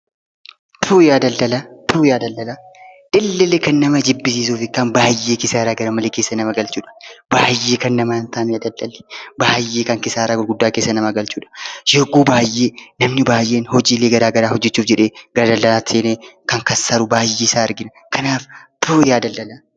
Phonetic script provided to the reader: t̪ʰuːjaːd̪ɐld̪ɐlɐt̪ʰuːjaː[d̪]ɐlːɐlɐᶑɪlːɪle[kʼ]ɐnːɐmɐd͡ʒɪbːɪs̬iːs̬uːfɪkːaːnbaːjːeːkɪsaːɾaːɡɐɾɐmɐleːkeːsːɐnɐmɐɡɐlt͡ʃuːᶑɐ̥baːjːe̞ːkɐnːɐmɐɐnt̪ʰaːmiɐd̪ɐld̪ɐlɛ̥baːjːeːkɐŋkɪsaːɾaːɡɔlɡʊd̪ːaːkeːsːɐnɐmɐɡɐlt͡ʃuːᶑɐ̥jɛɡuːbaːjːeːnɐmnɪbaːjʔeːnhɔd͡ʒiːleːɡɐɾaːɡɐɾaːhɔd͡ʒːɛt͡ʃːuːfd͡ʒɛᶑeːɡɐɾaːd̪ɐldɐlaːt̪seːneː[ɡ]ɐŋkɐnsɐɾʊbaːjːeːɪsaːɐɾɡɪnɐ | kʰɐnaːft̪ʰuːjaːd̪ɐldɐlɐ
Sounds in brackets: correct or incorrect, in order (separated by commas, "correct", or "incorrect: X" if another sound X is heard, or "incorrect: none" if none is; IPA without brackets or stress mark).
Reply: correct, incorrect: k, incorrect: k